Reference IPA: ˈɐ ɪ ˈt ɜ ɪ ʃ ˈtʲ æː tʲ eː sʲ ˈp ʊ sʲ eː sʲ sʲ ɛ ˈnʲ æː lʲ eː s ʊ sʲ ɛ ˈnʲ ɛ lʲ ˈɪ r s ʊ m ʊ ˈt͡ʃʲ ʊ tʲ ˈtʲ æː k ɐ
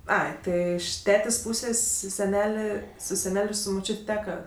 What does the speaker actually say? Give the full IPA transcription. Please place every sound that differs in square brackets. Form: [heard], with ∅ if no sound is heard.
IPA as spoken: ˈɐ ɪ ˈt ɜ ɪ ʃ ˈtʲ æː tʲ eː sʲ ˈp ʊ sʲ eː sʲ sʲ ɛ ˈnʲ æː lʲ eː s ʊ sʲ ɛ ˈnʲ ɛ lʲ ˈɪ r s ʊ m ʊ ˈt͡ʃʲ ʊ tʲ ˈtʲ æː k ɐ